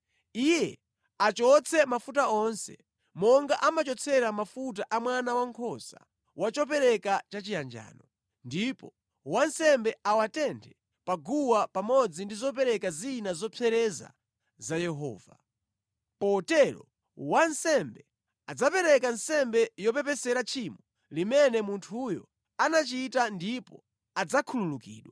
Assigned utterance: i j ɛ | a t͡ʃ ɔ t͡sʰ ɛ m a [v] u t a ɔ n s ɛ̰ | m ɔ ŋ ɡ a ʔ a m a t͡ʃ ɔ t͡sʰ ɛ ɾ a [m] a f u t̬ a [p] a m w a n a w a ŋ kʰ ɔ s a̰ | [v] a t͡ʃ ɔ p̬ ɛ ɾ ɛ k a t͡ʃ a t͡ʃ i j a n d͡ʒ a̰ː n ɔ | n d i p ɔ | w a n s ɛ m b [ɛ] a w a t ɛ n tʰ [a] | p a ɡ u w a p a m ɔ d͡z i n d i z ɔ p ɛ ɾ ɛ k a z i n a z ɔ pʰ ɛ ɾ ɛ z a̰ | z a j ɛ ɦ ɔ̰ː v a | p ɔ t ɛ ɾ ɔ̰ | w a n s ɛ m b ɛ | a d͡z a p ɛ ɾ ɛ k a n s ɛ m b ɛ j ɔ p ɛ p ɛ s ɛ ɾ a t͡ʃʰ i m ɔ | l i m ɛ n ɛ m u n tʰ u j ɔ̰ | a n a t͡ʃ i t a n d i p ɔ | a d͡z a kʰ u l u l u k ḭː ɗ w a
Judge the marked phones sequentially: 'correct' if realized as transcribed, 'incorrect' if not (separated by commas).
incorrect, correct, incorrect, incorrect, correct, incorrect